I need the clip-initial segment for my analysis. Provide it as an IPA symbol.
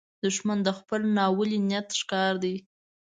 d̪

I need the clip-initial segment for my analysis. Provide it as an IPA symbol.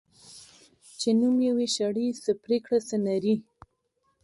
t͡ʃ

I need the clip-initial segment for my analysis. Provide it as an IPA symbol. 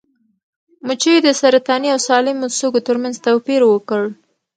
m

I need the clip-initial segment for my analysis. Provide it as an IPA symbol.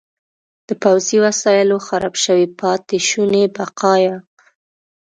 d̪̥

